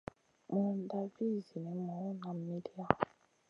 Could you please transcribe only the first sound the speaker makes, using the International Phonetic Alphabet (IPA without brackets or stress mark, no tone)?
m